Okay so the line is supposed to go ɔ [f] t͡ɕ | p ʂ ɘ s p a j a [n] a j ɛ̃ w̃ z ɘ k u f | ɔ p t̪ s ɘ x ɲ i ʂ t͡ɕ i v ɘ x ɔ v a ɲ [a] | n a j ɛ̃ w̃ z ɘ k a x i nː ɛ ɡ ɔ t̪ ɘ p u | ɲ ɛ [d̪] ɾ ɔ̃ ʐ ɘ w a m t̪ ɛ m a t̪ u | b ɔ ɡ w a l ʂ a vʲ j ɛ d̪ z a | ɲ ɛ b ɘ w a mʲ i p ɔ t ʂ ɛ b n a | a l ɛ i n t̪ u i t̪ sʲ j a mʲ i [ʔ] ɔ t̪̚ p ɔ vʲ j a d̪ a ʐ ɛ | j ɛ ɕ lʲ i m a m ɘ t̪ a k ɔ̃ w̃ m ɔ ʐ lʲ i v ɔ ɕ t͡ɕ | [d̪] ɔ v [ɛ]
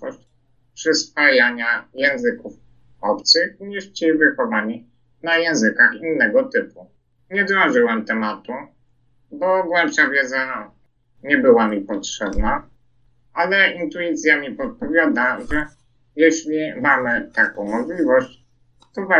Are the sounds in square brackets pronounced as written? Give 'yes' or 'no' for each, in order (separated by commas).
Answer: no, no, no, yes, no, no, no